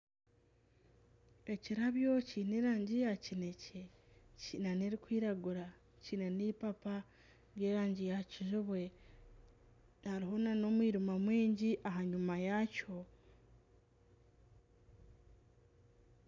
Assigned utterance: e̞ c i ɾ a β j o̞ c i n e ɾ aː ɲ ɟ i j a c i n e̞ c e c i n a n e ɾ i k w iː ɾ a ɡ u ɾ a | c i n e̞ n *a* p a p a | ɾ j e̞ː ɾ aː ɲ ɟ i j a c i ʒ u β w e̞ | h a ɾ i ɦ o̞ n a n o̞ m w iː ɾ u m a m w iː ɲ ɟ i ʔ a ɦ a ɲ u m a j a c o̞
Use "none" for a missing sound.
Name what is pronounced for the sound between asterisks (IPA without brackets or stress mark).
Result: i